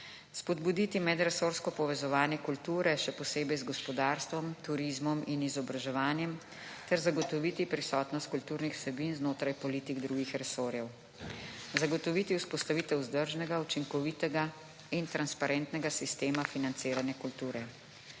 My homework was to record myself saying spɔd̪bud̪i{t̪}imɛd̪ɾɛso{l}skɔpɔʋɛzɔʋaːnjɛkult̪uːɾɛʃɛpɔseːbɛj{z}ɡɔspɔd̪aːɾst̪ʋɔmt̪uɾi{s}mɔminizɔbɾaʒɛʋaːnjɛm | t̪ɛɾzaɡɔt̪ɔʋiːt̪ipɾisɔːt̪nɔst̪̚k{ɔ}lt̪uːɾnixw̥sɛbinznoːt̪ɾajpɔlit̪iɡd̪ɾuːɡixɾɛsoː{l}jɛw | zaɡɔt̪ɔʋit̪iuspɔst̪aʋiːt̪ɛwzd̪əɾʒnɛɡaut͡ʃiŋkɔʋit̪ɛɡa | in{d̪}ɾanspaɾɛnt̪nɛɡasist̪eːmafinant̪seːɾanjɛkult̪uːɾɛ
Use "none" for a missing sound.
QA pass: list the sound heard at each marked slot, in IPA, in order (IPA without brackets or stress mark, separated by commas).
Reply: t̪, ɾ, z, z, u, ɾ, t̪